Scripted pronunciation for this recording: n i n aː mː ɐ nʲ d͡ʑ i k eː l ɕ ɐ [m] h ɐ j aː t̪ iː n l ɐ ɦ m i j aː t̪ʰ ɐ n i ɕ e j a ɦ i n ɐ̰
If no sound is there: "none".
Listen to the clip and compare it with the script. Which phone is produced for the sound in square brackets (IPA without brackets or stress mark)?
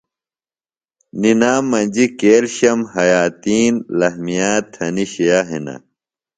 m